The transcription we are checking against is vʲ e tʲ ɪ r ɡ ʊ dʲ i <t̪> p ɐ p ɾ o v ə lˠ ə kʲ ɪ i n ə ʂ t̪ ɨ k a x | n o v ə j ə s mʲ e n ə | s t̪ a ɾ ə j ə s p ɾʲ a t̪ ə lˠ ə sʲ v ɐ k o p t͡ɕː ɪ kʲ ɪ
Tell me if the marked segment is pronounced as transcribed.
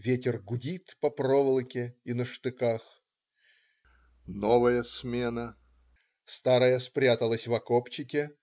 yes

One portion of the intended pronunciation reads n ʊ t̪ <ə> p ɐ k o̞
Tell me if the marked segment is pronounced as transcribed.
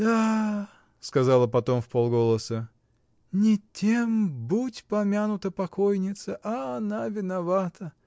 yes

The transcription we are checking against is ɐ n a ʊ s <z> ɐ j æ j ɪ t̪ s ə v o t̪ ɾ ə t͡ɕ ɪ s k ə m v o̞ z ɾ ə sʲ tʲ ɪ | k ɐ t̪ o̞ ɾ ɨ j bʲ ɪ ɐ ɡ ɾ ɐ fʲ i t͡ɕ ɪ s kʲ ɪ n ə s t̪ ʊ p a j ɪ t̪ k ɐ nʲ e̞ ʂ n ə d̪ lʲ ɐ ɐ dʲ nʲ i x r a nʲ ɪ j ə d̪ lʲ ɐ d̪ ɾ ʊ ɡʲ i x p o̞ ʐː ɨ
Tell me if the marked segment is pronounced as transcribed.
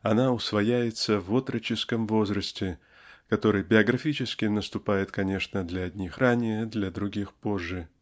no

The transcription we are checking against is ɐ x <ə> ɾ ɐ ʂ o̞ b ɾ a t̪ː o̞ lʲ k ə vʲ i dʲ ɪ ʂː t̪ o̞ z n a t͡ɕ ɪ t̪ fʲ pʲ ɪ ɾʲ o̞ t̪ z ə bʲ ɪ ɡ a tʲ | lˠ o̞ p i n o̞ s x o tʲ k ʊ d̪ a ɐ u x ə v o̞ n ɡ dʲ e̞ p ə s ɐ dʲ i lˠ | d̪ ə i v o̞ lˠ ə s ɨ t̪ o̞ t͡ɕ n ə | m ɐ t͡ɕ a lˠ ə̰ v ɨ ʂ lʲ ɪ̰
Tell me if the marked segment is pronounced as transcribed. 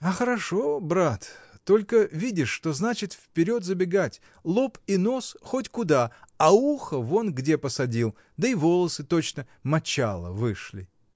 yes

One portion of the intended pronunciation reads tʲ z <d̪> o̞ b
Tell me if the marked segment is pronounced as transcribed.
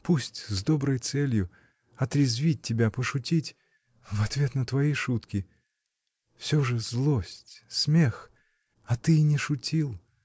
yes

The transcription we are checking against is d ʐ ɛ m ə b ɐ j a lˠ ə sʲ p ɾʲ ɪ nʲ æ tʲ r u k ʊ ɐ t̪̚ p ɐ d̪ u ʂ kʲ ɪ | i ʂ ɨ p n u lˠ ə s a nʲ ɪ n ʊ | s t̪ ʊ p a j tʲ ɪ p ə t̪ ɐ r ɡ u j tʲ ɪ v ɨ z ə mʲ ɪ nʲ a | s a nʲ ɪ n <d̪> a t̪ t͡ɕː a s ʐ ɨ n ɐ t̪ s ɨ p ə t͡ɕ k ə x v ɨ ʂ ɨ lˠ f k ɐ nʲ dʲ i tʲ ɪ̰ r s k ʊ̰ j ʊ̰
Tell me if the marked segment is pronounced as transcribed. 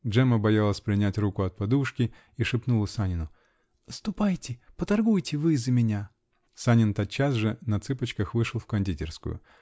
no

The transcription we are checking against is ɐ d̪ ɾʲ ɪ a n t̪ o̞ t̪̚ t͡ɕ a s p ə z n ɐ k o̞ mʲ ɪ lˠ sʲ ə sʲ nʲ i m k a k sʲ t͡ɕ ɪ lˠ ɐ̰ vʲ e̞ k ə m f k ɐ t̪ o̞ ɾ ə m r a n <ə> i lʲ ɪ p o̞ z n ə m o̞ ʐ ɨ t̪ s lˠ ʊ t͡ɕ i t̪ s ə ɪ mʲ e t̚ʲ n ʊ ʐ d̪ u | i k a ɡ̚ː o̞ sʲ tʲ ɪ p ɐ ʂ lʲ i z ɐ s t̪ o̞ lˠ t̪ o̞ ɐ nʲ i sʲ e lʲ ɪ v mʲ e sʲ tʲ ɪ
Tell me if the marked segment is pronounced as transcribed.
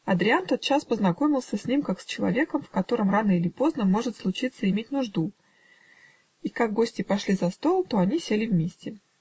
yes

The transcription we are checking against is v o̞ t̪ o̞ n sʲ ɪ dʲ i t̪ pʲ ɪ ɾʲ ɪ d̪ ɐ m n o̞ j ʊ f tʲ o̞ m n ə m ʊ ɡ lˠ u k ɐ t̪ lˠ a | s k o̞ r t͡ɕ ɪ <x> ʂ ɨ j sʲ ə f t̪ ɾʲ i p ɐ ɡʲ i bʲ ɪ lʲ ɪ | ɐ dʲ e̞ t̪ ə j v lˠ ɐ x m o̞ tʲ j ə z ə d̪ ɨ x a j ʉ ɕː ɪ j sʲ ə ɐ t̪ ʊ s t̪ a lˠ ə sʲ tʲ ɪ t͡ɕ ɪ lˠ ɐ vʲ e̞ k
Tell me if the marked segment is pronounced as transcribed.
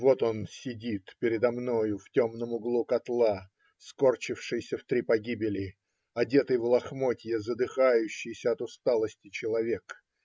no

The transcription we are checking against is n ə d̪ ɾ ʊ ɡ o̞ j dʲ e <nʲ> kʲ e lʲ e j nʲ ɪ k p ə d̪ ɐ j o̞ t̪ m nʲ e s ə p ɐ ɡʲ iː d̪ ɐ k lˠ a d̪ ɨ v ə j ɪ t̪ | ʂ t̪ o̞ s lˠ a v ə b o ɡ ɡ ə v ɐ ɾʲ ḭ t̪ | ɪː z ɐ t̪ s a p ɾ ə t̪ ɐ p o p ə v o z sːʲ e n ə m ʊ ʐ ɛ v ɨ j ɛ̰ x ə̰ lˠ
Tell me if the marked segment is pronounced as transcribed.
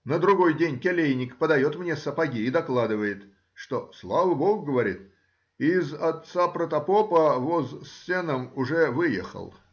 yes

